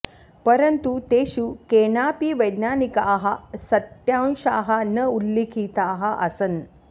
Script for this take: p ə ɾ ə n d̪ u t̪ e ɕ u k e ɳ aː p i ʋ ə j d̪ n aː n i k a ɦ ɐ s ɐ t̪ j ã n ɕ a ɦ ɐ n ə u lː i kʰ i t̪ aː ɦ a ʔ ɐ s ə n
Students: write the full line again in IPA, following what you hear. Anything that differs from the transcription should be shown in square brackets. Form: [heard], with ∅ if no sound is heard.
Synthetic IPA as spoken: p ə ɾ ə n [t̪] u t̪ e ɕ u k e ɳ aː p i ʋ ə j d̪ n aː n i k a ɦ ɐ s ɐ t̪ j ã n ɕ a ɦ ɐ n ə u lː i kʰ i t̪ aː ɦ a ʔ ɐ s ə n